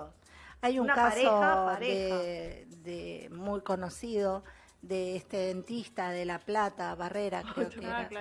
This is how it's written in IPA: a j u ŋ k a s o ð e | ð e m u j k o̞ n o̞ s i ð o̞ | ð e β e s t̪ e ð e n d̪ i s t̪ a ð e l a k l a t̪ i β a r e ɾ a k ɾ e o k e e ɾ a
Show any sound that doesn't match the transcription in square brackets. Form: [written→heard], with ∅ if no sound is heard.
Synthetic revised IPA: a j u ŋ k a s o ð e | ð e m u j k o̞ n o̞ s i ð o̞ | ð e [β→∅] e s t̪ e ð e n [d̪→t̪] i s t̪ a ð e l a [k→p] l a t̪ [i→a] β a r e ɾ a k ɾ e o k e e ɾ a